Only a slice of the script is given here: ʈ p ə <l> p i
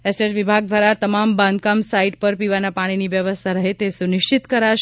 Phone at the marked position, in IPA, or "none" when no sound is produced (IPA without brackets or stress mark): ɾ